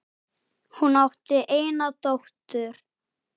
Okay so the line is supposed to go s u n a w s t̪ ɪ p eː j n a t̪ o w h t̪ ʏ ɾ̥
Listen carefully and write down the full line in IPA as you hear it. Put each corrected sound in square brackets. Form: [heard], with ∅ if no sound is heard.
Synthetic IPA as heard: [h] u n a w [h] t̪ ɪ [ʔ] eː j n a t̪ o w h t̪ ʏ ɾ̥